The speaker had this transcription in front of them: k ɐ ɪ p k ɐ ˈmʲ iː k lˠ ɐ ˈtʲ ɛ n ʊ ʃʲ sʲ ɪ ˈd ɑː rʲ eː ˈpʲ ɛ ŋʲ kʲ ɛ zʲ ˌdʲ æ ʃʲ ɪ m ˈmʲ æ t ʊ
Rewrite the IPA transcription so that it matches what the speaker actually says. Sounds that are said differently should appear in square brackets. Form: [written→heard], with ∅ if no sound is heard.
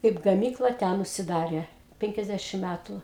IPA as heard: k ɐ ɪ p [k→ɡ] ɐ ˈmʲ iː k lˠ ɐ ˈtʲ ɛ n ʊ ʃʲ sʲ ɪ ˈd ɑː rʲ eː ˈpʲ ɛ ŋʲ kʲ ɛ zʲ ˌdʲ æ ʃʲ ɪ m ˈmʲ æ t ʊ